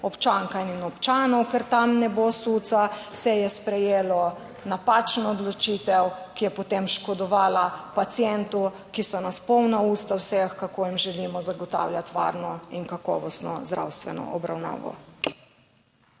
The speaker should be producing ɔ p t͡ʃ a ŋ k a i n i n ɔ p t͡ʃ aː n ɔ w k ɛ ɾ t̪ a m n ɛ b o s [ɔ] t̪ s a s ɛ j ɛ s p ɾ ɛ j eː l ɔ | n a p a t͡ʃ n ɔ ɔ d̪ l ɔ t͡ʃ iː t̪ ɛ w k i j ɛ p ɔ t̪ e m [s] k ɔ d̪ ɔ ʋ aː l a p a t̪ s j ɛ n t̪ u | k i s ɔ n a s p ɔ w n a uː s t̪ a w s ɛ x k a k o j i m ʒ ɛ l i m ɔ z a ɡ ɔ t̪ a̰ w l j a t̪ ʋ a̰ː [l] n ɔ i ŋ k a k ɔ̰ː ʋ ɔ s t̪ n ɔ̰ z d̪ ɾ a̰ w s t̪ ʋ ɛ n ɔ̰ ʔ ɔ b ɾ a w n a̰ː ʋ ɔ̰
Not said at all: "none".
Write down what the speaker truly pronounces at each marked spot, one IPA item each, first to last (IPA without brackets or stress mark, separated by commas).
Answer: u, ʃ, ɾ